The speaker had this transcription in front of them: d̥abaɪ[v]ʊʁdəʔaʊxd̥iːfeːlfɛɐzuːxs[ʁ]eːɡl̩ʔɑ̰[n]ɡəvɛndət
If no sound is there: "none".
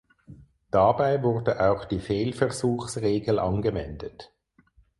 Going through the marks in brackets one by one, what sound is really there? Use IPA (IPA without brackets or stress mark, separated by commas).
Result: v, ʁ, n